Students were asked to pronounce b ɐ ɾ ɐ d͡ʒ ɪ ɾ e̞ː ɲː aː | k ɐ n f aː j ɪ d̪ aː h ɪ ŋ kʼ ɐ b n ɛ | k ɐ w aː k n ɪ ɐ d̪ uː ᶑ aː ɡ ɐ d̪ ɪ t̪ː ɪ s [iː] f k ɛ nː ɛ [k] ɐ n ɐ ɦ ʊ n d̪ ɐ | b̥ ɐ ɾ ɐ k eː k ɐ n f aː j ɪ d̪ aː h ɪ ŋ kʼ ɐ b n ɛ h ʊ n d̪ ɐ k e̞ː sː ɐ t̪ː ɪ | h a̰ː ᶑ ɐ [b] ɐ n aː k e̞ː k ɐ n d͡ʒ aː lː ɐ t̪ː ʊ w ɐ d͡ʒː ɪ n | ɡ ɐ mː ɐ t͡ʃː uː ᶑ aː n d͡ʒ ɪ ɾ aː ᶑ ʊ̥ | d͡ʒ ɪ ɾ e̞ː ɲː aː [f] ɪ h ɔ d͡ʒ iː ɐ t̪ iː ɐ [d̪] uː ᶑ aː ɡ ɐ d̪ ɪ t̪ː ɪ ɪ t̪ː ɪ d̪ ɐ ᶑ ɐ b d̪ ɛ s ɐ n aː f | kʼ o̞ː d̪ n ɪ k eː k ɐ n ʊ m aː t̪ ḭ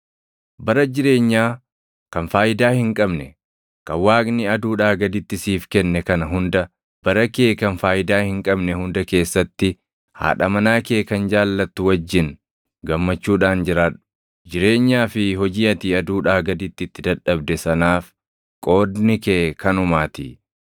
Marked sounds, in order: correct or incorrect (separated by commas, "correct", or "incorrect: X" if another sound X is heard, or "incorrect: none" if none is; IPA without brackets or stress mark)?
correct, correct, incorrect: m, correct, correct